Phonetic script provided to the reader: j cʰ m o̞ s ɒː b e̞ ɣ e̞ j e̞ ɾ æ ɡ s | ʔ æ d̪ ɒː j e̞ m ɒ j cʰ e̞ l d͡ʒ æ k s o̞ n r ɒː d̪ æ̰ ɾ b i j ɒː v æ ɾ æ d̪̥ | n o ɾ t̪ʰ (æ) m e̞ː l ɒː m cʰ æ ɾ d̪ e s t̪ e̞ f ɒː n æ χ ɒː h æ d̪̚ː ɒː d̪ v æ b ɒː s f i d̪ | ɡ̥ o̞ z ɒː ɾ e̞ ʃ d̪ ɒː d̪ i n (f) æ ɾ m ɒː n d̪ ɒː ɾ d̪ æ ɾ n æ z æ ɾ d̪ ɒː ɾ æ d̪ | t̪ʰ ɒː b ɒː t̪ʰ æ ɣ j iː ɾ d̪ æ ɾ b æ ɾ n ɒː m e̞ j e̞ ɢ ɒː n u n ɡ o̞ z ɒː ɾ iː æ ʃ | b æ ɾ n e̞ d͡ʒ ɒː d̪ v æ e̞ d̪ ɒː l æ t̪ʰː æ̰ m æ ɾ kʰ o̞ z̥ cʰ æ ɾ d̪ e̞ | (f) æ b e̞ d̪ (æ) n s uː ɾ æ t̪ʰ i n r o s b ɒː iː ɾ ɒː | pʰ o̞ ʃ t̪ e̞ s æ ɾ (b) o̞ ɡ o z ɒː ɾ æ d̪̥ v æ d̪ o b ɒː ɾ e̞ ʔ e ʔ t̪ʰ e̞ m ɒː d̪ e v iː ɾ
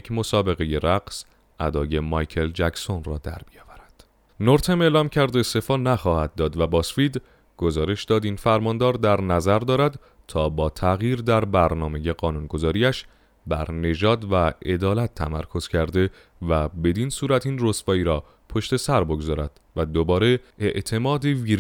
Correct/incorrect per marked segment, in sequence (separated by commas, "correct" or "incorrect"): incorrect, correct, incorrect, incorrect, correct